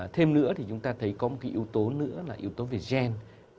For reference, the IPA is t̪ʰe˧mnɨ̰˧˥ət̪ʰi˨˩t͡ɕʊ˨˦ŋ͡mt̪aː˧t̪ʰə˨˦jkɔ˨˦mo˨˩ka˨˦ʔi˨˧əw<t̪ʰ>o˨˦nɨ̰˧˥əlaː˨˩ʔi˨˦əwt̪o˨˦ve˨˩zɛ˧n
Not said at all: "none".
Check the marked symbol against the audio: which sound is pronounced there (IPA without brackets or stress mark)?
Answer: t̪